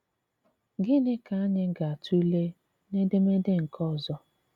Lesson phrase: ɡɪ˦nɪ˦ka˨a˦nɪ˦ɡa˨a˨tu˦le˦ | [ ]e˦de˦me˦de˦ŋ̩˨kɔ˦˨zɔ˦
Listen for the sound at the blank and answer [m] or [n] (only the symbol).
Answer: n